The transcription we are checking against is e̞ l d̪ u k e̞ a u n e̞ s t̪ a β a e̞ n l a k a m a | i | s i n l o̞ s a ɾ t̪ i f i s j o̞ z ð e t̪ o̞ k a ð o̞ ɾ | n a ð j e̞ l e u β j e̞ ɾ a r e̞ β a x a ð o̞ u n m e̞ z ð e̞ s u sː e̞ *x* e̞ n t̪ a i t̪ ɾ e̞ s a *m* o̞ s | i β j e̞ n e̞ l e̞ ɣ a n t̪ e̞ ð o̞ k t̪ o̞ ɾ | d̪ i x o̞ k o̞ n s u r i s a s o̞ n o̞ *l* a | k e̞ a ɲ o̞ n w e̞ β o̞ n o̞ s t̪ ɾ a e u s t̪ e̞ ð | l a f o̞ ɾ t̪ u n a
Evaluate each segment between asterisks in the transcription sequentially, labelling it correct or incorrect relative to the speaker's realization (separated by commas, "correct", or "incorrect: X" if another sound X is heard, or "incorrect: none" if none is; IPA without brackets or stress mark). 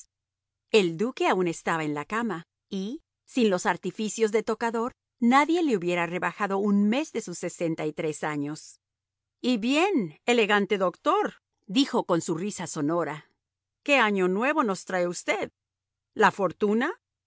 incorrect: s, incorrect: ɲ, incorrect: ɾ